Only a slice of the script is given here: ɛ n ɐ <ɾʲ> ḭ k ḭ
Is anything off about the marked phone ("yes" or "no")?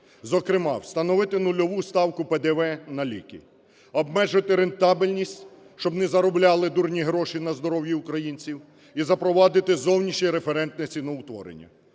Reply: yes